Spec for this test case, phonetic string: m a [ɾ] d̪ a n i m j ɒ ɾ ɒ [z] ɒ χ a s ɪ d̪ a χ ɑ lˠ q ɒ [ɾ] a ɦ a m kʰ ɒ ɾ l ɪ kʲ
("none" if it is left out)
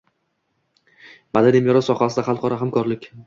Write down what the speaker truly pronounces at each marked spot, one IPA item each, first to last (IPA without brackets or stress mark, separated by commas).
none, s, ɾ